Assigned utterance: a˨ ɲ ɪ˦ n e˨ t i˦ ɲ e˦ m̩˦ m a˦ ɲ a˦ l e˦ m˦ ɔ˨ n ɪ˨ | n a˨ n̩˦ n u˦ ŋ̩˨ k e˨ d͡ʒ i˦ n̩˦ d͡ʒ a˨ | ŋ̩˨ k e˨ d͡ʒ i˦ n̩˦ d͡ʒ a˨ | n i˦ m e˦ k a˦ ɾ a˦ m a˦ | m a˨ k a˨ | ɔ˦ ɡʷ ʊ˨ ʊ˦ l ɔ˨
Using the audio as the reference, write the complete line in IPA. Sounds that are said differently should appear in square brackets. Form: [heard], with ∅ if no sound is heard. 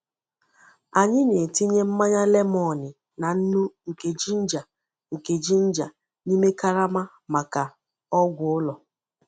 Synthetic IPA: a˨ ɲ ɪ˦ n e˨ t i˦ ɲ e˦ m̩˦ m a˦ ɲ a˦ l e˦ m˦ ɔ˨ n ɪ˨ | n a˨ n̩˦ n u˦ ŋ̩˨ k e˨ d͡ʒ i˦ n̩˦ d͡ʒ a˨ | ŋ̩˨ k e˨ d͡ʒ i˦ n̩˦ d͡ʒ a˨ | n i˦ m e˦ k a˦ ɾ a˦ m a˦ | m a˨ k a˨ | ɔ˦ ɡʷ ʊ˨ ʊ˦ l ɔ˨

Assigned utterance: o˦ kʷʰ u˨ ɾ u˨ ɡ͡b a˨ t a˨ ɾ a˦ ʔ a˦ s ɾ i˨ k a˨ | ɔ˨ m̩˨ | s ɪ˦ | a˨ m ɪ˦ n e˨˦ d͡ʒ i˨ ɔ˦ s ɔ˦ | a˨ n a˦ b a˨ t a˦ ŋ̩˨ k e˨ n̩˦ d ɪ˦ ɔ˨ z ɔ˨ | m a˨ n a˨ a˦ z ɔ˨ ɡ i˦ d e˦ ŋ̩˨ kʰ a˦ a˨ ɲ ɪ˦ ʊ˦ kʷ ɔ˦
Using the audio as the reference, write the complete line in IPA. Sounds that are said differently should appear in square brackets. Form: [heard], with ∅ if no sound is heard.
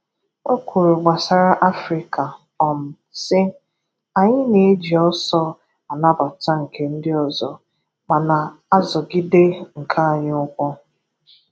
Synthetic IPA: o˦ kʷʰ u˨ ɾ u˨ ɡ͡b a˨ [s] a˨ ɾ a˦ ʔ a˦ [f] ɾ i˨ k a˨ | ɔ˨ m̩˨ | s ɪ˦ | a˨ [ɲ] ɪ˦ n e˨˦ d͡ʒ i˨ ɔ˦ s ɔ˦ | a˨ n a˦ b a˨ t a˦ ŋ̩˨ k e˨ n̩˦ d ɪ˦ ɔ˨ z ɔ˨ | m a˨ n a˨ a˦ z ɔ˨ ɡ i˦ d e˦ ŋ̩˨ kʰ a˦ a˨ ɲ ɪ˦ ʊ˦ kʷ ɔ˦

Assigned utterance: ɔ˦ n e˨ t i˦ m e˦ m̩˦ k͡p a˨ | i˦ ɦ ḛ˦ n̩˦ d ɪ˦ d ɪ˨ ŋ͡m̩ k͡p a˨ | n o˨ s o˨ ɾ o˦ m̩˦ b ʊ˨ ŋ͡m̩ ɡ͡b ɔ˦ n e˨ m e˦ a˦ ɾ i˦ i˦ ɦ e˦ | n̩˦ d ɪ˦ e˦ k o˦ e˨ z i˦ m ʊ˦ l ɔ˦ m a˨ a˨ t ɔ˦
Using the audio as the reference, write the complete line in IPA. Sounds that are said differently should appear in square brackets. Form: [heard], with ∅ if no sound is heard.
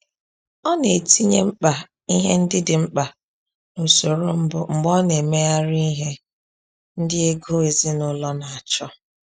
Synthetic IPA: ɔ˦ n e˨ t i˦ [ɲ] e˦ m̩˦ k͡p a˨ | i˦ ɦ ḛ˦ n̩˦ d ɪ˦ d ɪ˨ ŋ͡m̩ k͡p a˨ | n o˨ s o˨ ɾ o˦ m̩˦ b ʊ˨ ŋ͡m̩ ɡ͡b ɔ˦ n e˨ m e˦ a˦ ɾ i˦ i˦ ɦ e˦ | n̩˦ d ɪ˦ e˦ [ɡ] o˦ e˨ z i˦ [n] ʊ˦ l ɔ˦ [n] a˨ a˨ [t͡ʃ] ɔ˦

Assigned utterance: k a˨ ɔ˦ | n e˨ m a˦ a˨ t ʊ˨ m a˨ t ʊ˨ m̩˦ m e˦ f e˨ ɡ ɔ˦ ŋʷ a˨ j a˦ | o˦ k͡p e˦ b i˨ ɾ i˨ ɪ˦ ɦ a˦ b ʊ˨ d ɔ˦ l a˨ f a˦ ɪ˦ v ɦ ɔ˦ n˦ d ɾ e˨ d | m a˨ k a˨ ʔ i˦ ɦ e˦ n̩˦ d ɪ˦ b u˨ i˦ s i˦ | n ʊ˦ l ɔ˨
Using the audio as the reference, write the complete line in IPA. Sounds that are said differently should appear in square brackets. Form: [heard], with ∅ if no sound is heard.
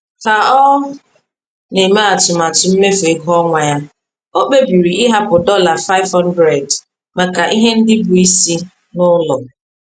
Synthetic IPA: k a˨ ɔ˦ | n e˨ m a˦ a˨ t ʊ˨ m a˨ t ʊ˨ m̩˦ m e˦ f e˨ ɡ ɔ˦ ŋʷ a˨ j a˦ | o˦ k͡p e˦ b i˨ ɾ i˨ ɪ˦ ɦ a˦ [p] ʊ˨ d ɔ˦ l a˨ f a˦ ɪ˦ v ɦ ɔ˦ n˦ d ɾ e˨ d | m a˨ k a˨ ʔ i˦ ɦ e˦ n̩˦ d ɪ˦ b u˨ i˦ s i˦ | n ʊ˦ l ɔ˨

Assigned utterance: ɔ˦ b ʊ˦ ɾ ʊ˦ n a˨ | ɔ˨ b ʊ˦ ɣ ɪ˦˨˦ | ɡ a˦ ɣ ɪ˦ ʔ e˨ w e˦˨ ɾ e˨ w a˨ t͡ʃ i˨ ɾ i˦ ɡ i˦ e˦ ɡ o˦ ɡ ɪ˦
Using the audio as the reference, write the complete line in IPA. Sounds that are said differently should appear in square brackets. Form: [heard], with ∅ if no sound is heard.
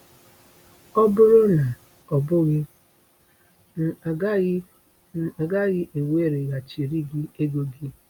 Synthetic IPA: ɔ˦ b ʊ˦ ɾ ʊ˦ n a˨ | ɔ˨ b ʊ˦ ɣ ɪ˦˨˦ | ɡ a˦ ɣ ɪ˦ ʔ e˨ w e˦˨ ɾ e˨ [ɣ] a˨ t͡ʃ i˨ ɾ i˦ ɡ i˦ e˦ ɡ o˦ ɡ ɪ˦

